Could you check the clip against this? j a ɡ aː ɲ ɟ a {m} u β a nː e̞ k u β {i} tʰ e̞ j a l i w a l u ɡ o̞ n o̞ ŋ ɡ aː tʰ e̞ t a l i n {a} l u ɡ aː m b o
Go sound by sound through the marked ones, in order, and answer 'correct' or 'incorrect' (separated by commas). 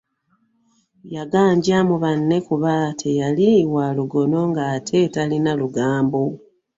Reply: correct, incorrect, correct